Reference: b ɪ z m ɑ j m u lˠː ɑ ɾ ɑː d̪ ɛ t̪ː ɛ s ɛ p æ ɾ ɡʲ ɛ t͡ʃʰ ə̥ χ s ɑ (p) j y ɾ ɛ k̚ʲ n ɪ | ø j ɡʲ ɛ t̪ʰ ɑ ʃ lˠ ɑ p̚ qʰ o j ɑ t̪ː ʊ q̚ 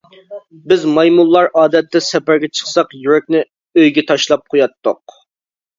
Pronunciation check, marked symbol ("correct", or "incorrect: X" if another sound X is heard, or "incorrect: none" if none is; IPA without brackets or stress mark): incorrect: q